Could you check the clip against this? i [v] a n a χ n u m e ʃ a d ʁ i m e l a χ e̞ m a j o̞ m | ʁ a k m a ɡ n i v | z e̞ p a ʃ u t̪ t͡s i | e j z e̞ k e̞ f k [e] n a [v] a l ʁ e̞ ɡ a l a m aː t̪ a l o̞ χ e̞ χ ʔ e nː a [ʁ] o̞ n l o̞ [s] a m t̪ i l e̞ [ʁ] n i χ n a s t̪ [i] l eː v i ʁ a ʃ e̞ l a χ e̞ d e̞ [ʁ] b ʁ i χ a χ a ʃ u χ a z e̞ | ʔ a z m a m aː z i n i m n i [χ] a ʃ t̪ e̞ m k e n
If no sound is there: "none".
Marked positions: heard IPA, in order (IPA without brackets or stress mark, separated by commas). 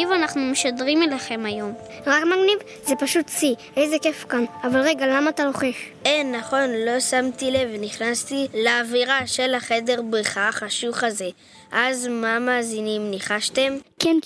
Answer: v, a, v, χ, s, v, i, ʁ, χ